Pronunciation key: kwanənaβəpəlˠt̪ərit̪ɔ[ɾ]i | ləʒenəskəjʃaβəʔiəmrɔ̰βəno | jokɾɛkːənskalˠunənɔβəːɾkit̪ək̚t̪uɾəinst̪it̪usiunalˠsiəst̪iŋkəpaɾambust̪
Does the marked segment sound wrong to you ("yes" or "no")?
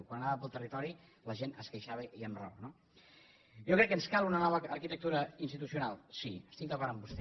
no